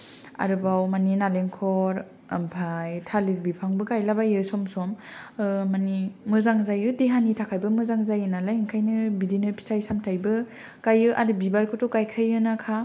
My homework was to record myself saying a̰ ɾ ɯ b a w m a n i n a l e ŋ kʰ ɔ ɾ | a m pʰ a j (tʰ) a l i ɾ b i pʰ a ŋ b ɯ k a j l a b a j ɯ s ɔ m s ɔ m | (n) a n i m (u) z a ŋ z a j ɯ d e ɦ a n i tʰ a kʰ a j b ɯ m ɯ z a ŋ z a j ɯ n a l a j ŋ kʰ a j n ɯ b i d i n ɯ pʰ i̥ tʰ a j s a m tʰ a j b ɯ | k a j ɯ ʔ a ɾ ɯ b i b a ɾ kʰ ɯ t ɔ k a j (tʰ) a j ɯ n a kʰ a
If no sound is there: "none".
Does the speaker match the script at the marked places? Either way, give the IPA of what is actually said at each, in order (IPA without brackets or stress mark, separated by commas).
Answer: tʰ, m, ɯ, kʰ